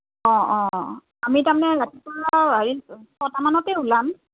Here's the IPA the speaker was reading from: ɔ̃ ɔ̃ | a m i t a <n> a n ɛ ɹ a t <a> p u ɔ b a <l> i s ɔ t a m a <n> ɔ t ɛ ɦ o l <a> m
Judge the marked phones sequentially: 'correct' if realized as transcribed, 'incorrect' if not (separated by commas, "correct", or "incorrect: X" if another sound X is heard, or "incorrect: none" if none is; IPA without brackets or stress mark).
incorrect: m, incorrect: i, incorrect: ɹ, correct, correct